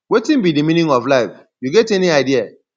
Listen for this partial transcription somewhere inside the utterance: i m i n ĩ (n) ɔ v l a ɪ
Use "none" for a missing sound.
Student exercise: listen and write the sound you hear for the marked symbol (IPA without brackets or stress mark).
ŋ